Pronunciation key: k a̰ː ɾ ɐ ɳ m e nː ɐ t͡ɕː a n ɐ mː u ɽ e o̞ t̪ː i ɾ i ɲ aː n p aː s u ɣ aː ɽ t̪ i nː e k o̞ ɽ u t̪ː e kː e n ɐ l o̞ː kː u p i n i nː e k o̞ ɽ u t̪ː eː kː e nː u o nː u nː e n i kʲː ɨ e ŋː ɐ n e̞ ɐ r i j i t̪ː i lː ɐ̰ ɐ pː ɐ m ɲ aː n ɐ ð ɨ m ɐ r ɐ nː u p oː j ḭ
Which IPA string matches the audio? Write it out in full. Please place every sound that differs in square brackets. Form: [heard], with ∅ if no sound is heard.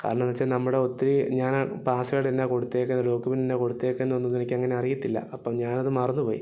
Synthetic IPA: k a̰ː ɾ ɐ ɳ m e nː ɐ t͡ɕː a n ɐ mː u ɽ e o̞ t̪ː i ɾ i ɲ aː n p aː s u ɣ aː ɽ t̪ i nː e k o̞ ɽ u t̪ː e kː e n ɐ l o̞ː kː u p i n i nː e k o̞ ɽ u t̪ː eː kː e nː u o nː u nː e n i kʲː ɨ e ŋː ɐ n e̞ ɐ r i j i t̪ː i lː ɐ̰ ɐ pː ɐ m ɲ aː n ɐ ð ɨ m ɐ r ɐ nː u p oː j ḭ